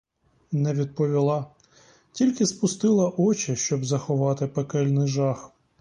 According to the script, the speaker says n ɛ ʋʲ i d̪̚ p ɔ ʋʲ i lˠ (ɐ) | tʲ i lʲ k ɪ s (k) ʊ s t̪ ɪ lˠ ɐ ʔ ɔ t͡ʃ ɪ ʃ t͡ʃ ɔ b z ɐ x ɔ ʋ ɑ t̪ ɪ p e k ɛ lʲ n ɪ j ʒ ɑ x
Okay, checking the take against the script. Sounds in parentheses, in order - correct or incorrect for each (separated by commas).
incorrect, incorrect